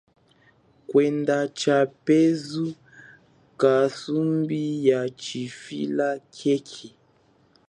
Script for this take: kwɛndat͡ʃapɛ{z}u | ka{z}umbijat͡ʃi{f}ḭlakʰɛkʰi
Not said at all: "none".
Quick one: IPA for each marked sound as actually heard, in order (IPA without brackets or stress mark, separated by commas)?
z, s, f